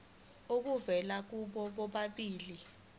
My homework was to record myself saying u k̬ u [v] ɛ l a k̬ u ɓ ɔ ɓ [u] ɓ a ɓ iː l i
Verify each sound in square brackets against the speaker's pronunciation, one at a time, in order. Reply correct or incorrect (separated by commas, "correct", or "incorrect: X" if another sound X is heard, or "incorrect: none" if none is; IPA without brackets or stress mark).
correct, incorrect: ɔ